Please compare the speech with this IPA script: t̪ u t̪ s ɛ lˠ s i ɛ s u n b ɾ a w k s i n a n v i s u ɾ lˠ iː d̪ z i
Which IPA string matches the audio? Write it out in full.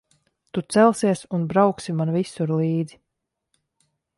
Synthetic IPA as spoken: t̪ u t̪ s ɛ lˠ s i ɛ s u n b ɾ a w k s i m a n v i s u ɾ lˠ iː d̪ z i